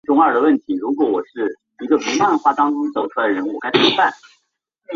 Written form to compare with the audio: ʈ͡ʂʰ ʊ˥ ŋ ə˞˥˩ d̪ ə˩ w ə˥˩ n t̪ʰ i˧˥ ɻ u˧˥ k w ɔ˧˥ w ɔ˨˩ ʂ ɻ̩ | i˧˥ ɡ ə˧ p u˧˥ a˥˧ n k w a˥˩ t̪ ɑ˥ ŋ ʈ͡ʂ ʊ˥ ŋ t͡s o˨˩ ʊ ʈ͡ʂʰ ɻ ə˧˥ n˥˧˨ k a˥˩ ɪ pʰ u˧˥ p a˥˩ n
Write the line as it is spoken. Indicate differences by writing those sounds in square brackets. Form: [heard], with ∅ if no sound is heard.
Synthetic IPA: [ʈ͡ʂ] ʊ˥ ŋ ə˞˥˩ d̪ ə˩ w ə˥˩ n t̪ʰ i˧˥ ɻ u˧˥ k w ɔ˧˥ w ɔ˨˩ ʂ ɻ̩ | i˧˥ ɡ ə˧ p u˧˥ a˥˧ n [x] w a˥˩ t̪ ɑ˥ ŋ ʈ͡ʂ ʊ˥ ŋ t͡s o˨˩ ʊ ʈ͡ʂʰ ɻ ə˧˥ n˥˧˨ k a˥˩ ɪ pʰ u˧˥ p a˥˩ n

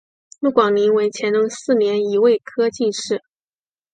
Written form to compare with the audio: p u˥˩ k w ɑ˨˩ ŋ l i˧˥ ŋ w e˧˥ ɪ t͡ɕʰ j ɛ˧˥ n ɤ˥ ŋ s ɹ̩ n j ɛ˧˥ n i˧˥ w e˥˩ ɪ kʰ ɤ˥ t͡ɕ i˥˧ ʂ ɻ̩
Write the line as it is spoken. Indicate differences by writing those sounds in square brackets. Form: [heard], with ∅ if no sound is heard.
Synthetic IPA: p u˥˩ k w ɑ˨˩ ŋ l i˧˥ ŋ w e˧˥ ɪ t͡ɕʰ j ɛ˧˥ n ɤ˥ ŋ s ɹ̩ n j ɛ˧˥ n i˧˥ w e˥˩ ɪ kʰ ɤ˥ t͡ɕ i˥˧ ʂ ɻ̩

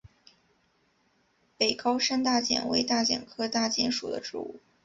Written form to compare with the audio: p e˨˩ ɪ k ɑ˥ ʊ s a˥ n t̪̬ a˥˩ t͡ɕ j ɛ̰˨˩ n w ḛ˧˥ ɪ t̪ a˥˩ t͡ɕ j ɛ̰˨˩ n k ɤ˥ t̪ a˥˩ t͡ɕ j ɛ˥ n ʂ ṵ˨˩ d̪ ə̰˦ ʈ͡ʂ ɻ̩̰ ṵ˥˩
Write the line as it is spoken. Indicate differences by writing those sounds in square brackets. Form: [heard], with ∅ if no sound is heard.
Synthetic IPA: p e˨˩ ɪ k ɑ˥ ʊ [ʂ] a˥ n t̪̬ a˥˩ t͡ɕ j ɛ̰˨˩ n w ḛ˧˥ ɪ t̪ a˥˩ t͡ɕ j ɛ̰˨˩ n [kʰ] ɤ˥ t̪ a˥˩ t͡ɕ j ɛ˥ n ʂ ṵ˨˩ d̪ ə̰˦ ʈ͡ʂ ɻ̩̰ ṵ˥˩

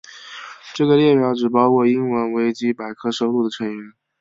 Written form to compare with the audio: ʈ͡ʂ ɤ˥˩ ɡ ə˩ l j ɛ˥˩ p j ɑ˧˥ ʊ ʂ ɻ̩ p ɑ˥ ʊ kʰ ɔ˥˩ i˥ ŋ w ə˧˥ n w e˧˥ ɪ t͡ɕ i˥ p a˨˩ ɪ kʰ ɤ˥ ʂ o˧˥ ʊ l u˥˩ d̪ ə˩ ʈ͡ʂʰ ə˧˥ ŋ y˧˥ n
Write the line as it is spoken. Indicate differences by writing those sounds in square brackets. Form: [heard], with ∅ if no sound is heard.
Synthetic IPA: ʈ͡ʂ ɤ˥˩ ɡ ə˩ l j ɛ˥˩ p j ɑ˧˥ ʊ [ʈ͡ʂ] ɻ̩ p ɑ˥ ʊ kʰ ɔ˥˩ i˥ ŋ w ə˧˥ n w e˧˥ ɪ t͡ɕ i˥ p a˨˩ ɪ kʰ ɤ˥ ʂ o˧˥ ʊ l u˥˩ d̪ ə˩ ʈ͡ʂʰ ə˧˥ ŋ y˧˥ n

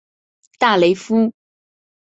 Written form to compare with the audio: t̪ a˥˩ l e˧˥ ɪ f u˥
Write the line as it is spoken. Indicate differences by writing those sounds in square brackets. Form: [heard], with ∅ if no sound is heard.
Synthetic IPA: t̪ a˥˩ l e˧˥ ɪ f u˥

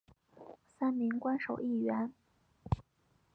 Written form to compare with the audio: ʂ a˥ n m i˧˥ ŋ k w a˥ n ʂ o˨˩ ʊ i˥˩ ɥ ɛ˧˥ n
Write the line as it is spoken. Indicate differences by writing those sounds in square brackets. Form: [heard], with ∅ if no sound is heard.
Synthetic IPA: [s] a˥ n m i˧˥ ŋ k w a˥ n ʂ o˨˩ ʊ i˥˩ ɥ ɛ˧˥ n

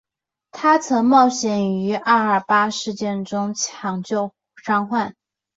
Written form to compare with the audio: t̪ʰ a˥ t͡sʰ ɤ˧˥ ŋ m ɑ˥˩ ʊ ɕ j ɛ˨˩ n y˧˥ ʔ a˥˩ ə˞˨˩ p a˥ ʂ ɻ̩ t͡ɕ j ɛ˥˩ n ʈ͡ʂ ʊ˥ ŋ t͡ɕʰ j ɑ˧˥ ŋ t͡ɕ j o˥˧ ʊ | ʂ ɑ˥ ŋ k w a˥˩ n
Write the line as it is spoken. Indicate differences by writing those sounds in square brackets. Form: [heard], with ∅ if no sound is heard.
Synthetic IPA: t̪ʰ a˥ t͡sʰ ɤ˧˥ ŋ m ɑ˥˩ ʊ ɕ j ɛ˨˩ n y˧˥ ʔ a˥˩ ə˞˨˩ p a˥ ʂ ɻ̩ t͡ɕ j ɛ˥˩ n ʈ͡ʂ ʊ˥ ŋ t͡ɕʰ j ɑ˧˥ ŋ t͡ɕ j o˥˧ ʊ | ʂ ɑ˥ ŋ [x] w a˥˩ n

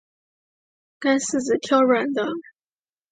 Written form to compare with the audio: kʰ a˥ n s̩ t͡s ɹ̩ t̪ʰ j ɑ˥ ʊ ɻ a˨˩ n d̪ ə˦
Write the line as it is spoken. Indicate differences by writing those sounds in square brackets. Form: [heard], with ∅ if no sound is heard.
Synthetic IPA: [k] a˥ n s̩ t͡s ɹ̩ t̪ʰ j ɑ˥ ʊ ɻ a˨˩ n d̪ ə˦

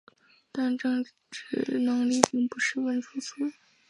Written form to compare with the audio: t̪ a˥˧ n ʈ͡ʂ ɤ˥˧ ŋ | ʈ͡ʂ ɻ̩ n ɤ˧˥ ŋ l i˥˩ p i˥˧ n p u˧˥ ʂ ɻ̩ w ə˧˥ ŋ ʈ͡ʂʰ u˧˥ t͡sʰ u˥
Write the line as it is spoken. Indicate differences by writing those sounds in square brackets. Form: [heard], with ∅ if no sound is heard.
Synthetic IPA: t̪ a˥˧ n ʈ͡ʂ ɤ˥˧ ŋ | ʈ͡ʂ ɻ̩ n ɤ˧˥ ŋ l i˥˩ p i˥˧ [ŋ] p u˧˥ ʂ ɻ̩ w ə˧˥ [n] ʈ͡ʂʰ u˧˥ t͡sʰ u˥

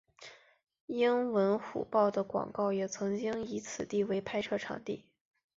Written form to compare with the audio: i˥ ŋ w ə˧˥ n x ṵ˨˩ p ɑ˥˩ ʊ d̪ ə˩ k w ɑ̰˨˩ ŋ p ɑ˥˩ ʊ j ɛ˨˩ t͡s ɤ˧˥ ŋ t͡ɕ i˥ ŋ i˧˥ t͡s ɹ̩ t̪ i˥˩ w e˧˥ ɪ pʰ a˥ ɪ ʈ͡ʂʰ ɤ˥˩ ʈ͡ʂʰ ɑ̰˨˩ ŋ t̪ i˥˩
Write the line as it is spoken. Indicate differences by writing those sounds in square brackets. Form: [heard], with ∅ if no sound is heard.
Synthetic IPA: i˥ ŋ w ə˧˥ n x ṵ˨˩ p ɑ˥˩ ʊ d̪ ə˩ k w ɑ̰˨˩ ŋ [k] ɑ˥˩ ʊ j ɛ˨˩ [t͡sʰ] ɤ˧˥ ŋ t͡ɕ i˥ ŋ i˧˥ [t͡sʰ] ɹ̩ t̪ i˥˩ w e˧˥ ɪ pʰ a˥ ɪ ʈ͡ʂʰ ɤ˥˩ ʈ͡ʂʰ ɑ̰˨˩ ŋ t̪ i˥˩

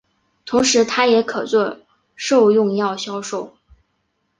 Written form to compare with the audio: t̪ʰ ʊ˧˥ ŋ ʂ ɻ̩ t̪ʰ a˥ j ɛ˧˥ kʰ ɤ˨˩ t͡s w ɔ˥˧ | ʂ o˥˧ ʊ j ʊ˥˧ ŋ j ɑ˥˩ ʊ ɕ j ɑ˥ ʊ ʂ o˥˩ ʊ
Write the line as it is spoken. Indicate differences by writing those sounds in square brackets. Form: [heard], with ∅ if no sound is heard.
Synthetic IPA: t̪ʰ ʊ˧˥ ŋ ʂ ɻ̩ t̪ʰ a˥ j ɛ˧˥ kʰ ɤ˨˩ t͡s w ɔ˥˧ | ʂ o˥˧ ʊ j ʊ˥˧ ŋ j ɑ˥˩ ʊ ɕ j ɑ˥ ʊ ʂ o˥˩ ʊ

